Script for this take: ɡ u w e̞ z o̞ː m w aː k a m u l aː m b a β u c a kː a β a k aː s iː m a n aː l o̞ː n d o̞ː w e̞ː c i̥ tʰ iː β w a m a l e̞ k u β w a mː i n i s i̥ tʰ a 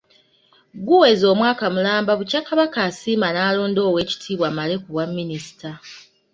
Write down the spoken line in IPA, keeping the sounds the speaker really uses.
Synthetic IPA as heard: ɡ u w e̞ z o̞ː m w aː k a m u l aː m b a β u c a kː a β a k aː s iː m a n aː l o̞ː n d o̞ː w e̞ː c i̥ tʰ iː β w a m a l e̞ k u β w a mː i n i s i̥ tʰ a